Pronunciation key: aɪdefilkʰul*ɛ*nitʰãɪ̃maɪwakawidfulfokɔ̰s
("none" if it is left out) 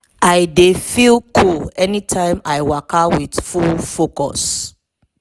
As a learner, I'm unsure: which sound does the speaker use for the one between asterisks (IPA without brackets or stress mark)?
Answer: ɛ